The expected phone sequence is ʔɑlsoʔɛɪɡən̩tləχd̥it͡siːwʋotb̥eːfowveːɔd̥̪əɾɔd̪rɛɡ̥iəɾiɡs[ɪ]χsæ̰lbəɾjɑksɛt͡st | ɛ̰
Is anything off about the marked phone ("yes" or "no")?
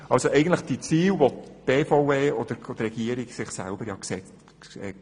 no